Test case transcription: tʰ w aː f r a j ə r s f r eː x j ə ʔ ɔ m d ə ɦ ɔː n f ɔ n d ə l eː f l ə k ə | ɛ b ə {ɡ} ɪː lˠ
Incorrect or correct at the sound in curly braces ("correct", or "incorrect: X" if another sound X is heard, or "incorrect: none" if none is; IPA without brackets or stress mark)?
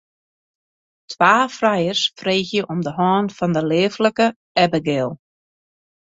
correct